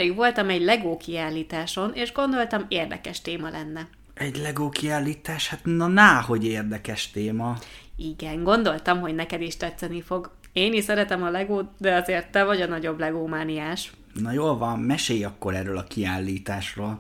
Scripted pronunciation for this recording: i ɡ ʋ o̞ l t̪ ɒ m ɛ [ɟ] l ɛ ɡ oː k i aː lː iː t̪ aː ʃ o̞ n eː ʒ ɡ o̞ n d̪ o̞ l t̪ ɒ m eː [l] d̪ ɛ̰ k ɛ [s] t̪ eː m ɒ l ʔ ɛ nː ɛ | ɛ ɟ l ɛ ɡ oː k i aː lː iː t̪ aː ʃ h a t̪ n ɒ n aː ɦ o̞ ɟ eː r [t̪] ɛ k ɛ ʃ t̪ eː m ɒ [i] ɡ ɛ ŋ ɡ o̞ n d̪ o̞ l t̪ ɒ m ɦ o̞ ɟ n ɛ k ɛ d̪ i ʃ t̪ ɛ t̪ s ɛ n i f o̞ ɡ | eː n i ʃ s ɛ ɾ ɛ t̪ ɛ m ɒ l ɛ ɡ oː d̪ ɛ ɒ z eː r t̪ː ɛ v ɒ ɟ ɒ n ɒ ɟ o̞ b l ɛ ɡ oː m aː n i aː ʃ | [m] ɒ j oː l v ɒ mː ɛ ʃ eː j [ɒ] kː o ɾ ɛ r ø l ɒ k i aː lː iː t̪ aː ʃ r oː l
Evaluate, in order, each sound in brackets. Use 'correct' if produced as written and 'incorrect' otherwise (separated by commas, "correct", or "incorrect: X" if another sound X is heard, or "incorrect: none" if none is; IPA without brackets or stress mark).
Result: correct, incorrect: r, incorrect: ʃ, incorrect: d̪, correct, incorrect: n, correct